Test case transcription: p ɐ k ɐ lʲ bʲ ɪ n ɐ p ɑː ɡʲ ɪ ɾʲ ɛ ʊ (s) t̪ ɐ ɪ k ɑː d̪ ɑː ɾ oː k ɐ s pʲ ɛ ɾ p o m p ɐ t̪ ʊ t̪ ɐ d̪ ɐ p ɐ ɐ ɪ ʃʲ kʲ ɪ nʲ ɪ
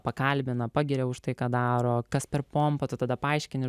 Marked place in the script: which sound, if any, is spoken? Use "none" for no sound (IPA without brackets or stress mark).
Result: ʃ